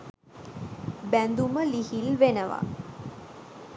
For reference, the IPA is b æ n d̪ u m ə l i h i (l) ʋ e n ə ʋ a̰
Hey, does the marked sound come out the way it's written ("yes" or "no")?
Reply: yes